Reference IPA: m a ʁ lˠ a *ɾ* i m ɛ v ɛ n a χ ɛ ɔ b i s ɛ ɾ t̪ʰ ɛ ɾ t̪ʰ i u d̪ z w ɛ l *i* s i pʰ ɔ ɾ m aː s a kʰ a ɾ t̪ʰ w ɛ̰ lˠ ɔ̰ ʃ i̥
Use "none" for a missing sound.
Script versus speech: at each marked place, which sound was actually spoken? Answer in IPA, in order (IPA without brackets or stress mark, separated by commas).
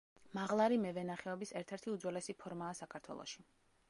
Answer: ɾ, ɛ